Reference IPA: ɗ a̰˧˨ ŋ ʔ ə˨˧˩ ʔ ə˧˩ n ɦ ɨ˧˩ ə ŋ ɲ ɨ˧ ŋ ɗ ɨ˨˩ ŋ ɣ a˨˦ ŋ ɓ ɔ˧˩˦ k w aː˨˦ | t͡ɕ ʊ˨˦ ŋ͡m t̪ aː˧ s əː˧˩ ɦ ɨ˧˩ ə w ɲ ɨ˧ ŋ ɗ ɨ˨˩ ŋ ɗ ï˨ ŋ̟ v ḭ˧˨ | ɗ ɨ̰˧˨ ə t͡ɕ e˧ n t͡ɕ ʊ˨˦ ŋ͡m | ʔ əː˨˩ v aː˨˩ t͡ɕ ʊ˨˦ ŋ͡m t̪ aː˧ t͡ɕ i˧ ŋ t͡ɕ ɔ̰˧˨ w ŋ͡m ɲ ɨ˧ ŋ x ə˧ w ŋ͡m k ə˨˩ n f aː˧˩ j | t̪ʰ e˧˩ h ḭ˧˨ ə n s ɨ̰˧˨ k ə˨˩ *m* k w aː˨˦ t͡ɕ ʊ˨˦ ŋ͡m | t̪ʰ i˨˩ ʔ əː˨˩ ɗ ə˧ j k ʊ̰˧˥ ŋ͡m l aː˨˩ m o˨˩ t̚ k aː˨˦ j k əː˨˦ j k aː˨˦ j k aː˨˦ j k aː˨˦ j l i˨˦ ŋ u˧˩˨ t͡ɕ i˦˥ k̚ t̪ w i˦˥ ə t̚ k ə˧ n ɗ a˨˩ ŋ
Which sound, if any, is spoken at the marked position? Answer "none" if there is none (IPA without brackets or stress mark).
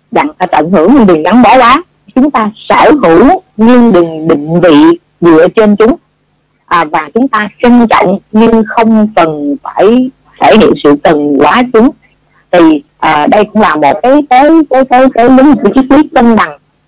n